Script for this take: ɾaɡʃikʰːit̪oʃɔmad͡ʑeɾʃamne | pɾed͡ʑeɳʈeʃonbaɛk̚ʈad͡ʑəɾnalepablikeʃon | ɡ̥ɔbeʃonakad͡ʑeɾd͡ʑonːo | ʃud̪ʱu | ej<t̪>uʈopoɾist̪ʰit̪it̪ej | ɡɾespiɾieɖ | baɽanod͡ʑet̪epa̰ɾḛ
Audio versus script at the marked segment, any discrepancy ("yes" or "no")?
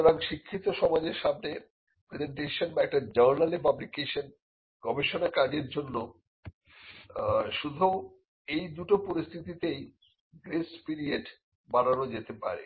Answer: yes